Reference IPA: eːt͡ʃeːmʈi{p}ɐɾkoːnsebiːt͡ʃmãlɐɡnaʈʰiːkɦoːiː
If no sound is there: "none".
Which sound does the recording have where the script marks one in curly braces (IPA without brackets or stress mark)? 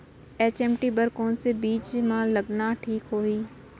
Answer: b